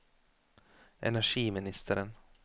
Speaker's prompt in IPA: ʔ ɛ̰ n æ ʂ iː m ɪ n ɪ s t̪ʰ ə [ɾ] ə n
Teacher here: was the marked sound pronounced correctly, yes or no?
yes